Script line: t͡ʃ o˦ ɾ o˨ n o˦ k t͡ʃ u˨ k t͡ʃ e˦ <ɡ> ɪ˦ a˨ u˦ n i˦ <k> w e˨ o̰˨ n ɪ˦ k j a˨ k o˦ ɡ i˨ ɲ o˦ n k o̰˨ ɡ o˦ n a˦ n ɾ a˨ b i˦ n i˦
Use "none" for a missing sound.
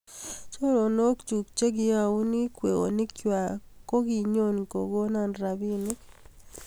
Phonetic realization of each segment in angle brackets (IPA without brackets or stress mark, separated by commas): ɡ, k